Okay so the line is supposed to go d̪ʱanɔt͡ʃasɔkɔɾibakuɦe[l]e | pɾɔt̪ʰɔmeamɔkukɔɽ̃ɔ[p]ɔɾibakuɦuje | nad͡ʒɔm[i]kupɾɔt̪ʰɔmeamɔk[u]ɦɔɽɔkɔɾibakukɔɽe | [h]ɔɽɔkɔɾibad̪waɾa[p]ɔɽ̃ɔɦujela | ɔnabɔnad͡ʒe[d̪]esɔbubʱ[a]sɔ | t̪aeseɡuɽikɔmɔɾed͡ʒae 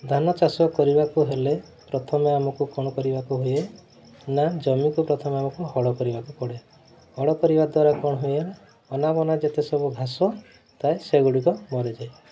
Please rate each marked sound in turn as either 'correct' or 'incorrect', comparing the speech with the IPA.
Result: correct, incorrect: k, correct, correct, correct, incorrect: k, incorrect: t̪, correct

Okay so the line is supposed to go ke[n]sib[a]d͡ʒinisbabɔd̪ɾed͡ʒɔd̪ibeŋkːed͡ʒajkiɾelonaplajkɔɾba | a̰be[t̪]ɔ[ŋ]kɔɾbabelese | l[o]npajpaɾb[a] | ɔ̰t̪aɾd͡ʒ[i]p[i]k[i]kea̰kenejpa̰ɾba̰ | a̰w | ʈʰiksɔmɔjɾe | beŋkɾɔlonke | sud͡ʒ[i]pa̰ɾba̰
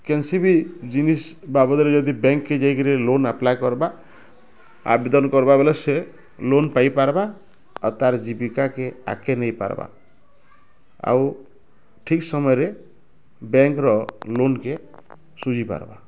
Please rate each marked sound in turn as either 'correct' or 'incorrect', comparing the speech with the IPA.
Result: correct, incorrect: i, incorrect: d̪, incorrect: n, correct, correct, correct, correct, incorrect: a, correct

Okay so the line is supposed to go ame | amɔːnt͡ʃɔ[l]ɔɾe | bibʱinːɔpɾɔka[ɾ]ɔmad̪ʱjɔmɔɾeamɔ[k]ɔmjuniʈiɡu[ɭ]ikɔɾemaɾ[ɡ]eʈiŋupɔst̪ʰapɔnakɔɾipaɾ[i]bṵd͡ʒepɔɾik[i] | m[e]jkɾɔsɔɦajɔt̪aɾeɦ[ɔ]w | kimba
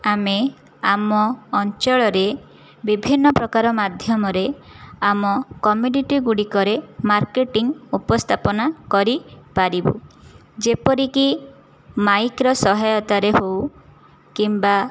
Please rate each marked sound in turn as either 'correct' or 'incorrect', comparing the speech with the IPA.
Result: incorrect: ɭ, correct, correct, incorrect: ɽ, incorrect: k, correct, correct, incorrect: a, incorrect: o

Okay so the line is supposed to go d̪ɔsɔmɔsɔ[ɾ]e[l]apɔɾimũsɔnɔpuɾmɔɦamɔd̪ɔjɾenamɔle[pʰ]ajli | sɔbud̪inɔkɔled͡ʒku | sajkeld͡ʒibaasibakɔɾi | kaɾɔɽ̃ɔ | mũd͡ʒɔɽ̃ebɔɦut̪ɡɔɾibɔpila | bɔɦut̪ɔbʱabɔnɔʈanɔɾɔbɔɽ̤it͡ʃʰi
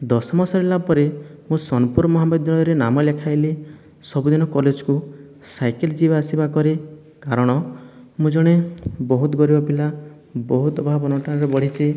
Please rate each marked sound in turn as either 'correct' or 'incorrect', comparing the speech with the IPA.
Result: correct, correct, incorrect: kʰ

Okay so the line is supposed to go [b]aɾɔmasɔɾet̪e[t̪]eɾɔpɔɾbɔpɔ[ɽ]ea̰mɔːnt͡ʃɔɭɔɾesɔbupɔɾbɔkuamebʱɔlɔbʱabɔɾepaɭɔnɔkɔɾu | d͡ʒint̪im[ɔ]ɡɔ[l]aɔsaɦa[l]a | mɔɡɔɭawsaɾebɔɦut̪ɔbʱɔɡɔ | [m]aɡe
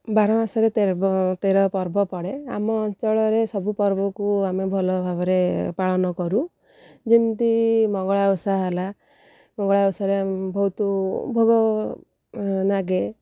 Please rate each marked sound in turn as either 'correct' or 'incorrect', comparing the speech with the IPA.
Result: correct, correct, correct, correct, incorrect: ɭ, correct, incorrect: n

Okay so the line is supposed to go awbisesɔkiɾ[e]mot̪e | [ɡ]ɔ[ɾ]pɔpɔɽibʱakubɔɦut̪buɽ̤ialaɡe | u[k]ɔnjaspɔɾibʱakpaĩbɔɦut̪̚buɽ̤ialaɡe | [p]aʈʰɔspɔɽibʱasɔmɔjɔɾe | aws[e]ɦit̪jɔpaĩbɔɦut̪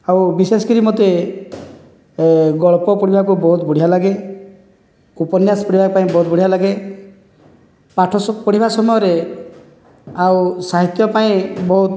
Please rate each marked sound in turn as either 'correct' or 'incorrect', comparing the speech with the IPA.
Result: incorrect: i, correct, incorrect: ɭ, incorrect: p, correct, incorrect: a

